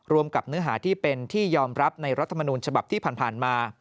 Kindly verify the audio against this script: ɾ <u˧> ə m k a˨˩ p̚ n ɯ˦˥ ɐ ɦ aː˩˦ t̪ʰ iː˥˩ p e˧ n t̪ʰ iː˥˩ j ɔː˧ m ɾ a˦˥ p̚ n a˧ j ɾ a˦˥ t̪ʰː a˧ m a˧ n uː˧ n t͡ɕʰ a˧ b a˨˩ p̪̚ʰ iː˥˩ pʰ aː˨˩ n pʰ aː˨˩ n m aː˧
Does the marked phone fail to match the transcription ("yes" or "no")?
no